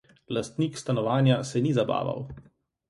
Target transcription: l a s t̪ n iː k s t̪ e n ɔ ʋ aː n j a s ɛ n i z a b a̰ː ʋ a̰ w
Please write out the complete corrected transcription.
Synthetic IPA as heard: l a s t̪ n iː k s t̪ a n ɔ ʋ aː n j a s ɛ n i z a b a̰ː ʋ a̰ w